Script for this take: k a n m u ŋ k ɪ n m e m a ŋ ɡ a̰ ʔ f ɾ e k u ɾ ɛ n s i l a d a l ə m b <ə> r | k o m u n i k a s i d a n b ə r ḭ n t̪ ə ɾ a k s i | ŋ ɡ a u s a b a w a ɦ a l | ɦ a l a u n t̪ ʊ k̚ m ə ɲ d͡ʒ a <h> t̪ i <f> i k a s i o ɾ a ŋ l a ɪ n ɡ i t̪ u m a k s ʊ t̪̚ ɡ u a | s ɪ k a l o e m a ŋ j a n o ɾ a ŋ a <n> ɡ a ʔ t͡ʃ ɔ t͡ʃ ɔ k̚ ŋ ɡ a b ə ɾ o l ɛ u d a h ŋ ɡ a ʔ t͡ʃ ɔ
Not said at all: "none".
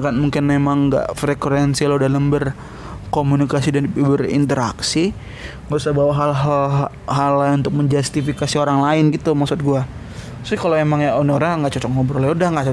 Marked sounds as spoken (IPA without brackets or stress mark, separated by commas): ə, s, f, ŋ